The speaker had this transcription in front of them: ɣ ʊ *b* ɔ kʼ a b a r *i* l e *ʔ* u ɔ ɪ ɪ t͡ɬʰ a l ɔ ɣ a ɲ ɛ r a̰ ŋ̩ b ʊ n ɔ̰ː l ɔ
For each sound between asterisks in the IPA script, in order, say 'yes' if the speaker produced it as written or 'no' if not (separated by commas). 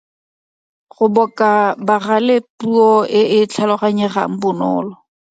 yes, no, no